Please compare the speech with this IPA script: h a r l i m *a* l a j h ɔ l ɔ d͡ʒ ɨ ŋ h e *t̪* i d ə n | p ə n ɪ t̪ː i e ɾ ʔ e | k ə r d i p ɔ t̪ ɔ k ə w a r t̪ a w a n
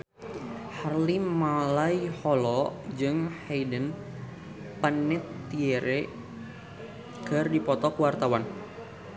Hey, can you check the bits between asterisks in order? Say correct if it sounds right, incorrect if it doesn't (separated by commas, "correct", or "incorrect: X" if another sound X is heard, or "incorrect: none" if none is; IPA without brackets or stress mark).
correct, incorrect: none